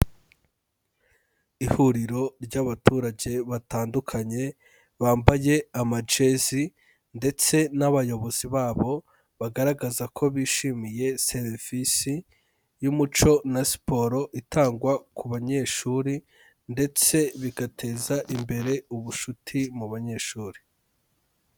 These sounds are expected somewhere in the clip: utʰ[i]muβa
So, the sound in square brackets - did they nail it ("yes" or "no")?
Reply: yes